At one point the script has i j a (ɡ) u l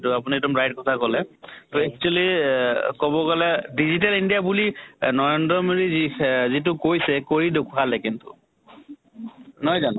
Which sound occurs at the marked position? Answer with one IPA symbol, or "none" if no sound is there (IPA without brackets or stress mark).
b